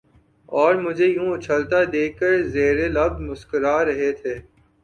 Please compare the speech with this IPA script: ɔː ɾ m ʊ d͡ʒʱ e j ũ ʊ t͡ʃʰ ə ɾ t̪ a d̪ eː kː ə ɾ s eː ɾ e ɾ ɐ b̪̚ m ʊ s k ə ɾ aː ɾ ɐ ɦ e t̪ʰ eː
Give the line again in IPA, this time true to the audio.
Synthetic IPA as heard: ɔː ɾ m ʊ d͡ʒʱ e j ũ ʊ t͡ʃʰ ə l t̪ a d̪ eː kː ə ɾ z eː ɾ e l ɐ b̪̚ m ʊ s k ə ɾ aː ɾ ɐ ɦ e t̪ʰ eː